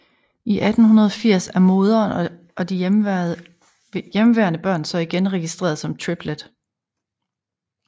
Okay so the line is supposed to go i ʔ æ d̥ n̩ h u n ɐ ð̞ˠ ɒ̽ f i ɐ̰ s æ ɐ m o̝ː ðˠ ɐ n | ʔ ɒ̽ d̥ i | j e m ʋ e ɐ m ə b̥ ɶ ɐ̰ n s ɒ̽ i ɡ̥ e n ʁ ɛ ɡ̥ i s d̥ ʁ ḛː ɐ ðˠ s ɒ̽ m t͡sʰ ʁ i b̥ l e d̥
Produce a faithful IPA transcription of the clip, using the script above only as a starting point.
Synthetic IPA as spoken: i ʔ æ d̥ n̩ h u n ɐ ð̞ˠ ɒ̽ f i ɐ̰ s æ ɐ m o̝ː ðˠ ɐ n | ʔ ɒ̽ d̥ i | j e m ʋ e ɐ n ə b̥ ɶ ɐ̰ n s ɒ̽ i ɡ̥ e n ʁ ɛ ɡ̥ i s d̥ ʁ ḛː ɐ ðˠ s ɒ̽ m t͡sʰ ʁ i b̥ l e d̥